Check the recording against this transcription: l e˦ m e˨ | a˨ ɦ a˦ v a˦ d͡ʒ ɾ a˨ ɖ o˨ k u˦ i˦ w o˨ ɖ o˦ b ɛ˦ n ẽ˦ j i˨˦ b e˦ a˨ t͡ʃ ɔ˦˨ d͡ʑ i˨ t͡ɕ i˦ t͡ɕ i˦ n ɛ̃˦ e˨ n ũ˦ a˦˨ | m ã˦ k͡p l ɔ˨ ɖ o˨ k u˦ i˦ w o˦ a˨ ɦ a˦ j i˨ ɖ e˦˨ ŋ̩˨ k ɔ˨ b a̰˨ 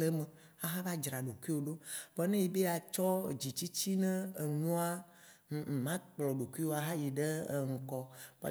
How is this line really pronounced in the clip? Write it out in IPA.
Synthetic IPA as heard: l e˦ m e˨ | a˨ ɦ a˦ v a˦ d͡ʒ ɾ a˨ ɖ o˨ k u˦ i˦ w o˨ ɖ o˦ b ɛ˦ n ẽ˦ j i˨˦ b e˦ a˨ t͡ʃ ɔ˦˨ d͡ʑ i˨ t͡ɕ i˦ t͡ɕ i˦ n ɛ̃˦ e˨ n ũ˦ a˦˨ | m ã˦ k͡p l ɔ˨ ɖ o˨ k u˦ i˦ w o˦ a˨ ɦ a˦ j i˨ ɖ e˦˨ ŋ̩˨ k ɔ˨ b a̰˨

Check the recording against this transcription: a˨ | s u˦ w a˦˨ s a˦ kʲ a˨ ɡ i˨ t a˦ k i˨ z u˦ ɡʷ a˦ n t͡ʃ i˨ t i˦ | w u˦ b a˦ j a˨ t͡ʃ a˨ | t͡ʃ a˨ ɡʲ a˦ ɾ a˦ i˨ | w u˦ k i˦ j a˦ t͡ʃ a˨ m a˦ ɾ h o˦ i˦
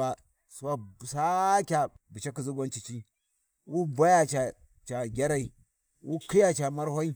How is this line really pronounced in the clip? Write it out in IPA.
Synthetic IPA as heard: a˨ | s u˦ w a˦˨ s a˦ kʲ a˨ b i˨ t͡ʃ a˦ k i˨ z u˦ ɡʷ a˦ n t͡ʃ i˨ t͡ʃ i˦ | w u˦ b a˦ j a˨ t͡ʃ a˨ | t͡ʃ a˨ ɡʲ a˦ ɾ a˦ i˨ | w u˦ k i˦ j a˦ t͡ʃ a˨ m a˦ ɾ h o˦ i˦

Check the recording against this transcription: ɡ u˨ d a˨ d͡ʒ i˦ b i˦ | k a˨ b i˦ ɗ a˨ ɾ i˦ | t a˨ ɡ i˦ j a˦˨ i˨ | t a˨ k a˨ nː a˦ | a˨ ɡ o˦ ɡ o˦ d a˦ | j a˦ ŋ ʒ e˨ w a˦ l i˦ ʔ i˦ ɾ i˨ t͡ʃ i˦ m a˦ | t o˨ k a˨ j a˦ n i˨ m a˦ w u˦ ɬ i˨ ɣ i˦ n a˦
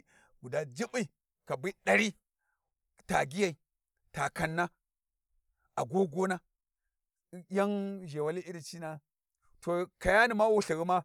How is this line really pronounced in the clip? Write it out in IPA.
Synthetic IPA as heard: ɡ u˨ d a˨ d͡ʒ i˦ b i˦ | k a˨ b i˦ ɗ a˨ ɾ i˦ | t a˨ ɡ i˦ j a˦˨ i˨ | t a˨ k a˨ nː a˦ | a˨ ɡ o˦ ɡ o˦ n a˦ | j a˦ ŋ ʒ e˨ w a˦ l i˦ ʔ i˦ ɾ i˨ t͡ʃ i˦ n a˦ | t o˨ k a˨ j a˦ n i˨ m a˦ w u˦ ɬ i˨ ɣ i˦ m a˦

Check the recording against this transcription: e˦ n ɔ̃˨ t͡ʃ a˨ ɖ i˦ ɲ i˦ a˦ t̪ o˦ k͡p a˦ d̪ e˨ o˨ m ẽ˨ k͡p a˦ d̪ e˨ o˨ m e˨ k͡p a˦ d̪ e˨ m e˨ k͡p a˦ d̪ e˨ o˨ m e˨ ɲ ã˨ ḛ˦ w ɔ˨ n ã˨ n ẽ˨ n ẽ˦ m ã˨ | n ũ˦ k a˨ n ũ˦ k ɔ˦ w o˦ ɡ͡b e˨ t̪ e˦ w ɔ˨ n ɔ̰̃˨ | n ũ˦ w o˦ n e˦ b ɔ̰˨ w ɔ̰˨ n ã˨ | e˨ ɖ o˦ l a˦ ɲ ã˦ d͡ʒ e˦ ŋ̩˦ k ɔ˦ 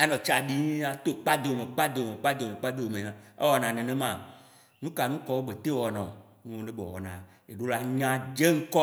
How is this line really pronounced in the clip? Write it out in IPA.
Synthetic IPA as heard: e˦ n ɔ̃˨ t͡ʃ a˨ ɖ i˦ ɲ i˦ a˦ t̪ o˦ k͡p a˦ d̪ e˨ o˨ m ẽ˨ k͡p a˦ d̪ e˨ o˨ m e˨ k͡p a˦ d̪ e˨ m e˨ k͡p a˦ d̪ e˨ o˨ m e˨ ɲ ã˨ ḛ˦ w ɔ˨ n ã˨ n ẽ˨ n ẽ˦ m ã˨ | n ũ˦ k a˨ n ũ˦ k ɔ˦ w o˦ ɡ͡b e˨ t̪ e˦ w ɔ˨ n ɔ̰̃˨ | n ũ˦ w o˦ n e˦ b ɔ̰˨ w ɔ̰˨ n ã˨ | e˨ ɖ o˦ l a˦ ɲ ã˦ d͡ʒ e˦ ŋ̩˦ k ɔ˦

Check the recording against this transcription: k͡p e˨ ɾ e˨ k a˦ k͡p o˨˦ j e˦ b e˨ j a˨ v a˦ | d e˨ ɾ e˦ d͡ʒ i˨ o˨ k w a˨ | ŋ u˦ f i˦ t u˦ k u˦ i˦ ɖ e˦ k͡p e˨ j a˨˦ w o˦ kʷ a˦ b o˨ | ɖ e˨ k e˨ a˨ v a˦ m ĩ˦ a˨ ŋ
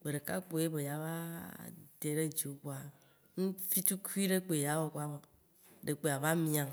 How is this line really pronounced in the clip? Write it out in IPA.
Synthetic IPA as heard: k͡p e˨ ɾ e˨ k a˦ k͡p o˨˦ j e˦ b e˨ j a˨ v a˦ | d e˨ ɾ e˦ d͡ʒ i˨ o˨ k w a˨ | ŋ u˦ f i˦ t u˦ k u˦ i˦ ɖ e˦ k͡p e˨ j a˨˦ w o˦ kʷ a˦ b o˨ | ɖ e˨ k͡p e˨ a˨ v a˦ m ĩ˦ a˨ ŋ

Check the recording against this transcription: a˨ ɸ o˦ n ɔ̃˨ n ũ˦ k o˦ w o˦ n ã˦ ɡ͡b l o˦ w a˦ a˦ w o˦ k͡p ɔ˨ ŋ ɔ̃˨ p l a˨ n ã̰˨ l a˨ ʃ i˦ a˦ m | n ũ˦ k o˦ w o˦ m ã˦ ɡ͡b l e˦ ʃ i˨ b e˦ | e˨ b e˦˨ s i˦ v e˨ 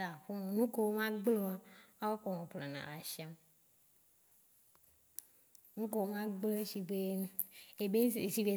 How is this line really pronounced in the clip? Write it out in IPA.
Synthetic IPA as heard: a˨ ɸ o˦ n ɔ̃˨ n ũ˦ k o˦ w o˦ m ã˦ ɡ͡b l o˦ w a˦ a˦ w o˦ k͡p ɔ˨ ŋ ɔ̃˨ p l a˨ n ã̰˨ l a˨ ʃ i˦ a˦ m | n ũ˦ k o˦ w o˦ m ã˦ ɡ͡b l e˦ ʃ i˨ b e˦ | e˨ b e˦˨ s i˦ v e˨

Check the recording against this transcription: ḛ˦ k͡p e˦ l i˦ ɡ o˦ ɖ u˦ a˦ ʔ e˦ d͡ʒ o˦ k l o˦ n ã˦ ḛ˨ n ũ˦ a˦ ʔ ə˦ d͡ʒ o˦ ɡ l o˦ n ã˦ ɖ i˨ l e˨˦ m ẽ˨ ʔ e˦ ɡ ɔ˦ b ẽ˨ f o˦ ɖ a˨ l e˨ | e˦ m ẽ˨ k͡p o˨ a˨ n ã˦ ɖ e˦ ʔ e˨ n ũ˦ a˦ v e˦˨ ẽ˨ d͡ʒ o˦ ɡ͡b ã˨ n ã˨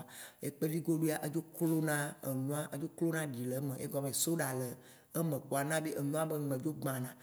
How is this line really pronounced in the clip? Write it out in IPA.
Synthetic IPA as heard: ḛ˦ k͡p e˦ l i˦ ɡ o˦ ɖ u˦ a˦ ʔ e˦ d͡ʒ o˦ k l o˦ n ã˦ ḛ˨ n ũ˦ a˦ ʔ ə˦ d͡ʒ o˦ k l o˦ n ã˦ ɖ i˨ l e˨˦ m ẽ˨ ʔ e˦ ɡ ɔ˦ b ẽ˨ s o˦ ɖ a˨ l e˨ | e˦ m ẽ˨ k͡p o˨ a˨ n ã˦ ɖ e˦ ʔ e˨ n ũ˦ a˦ b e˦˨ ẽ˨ d͡ʒ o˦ ɡ͡b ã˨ n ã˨

